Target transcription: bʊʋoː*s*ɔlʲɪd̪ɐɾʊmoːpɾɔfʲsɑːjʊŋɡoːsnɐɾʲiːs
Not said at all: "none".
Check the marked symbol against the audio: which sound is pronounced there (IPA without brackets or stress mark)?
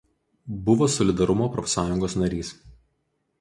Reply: s